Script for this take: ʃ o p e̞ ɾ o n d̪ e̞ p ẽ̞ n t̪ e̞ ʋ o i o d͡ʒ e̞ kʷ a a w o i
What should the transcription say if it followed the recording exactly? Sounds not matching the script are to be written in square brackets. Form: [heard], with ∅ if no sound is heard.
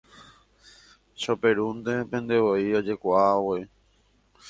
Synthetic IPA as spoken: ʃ o p e̞ ɾ [u] n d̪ e̞ p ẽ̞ n [d̪] e̞ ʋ o i o d͡ʒ e̞ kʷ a a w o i